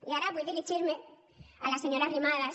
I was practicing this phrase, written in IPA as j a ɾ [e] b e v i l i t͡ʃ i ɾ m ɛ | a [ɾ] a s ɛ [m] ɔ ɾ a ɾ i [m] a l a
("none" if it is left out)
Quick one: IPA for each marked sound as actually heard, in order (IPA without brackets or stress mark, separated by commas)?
a, l, ɲ, m